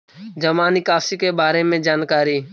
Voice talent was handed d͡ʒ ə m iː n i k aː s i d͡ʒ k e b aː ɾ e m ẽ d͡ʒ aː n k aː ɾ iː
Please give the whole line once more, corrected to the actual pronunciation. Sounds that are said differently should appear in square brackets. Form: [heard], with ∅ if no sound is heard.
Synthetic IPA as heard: d͡ʒ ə m [aː] n i k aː s i [∅] k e b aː ɾ e m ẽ d͡ʒ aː n k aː ɾ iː